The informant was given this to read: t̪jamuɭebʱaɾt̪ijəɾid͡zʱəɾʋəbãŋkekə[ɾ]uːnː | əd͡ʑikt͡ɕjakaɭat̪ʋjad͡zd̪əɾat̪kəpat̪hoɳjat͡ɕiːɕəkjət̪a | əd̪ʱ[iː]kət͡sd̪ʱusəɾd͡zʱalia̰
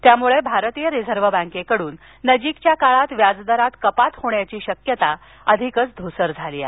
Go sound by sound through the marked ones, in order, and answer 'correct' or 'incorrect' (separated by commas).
incorrect, incorrect